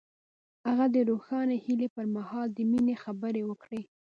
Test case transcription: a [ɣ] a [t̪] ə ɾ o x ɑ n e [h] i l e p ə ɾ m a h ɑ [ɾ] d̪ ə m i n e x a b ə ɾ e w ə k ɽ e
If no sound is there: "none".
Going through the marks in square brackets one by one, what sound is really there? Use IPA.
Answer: ɣ, d̪, h, l

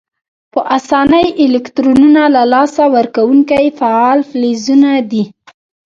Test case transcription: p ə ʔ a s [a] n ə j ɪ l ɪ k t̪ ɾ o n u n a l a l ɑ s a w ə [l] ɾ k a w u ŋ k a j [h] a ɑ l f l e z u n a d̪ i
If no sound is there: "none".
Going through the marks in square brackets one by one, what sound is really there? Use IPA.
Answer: ɑ, none, f

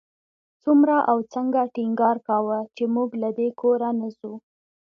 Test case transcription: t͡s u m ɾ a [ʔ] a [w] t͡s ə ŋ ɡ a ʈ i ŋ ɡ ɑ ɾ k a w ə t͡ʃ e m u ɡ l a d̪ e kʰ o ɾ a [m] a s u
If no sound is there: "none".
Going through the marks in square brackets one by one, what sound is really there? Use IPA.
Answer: ʔ, w, n

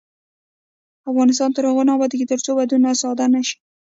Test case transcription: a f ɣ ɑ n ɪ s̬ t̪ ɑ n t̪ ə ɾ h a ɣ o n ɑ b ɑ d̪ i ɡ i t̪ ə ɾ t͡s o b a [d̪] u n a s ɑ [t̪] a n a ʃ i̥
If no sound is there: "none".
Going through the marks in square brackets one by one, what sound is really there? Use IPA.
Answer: d̪, d̪

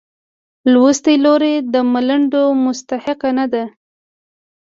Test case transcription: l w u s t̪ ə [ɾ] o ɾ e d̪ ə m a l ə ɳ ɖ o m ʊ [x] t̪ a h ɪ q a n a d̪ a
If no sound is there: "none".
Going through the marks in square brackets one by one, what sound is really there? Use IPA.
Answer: l, s

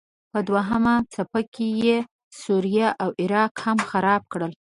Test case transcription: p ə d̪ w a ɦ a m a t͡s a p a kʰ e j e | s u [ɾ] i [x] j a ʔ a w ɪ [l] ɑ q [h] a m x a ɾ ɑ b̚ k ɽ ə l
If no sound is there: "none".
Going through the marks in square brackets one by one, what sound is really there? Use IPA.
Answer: ɾ, none, ɾ, h

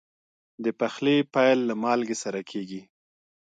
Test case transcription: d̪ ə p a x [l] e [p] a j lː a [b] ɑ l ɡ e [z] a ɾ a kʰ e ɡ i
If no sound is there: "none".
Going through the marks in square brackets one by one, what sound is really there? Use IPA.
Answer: l, p, m, s

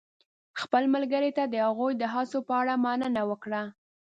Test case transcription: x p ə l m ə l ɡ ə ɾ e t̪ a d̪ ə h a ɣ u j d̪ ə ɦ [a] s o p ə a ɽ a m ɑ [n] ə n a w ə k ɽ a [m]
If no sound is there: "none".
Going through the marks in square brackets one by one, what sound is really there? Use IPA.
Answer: ɑ, n, none

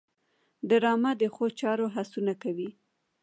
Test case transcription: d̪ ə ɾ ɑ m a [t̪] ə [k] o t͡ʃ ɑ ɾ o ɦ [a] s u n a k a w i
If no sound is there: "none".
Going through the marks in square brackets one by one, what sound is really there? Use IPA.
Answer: d̪, x, a

